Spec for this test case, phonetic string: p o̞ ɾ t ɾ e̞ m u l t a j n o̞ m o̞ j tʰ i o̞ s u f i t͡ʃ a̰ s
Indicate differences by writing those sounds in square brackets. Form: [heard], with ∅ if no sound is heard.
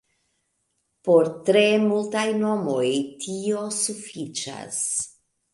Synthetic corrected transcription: p o̞ ɾ t ɾ e̞ m u l t a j n o̞ m o̞ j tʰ i o̞ s u f i t͡ʃ a̰ s